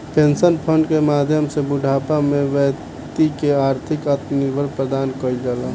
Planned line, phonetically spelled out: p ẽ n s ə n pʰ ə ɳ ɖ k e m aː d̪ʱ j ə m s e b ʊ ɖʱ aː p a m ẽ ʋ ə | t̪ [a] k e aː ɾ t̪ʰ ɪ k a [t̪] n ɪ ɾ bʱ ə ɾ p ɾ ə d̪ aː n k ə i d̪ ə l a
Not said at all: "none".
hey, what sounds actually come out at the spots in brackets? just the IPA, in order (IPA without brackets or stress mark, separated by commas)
i, t̪